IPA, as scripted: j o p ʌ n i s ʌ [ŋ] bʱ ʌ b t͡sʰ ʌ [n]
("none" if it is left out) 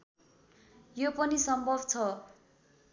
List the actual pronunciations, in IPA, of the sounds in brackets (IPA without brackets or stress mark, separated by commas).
m, none